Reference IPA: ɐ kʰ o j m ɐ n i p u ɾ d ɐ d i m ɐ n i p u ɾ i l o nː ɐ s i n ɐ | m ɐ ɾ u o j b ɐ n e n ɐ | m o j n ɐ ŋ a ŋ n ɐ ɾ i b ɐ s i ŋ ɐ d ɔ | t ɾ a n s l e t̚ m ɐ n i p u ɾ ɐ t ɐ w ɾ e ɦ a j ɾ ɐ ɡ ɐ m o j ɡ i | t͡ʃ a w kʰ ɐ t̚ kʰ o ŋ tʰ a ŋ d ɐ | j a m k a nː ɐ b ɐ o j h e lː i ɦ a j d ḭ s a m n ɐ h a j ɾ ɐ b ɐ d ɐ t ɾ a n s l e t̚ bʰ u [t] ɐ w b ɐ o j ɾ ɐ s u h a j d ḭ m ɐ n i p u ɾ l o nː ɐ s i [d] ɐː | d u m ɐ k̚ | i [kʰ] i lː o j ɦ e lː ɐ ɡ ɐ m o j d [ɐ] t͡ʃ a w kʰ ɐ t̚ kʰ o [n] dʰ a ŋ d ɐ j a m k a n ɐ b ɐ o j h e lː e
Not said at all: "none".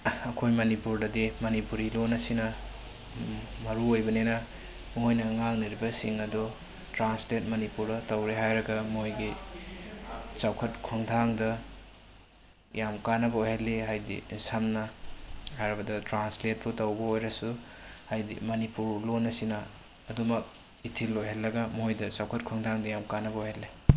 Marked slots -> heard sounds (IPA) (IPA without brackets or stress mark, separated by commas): t, n, tʰ, ɐ, ŋ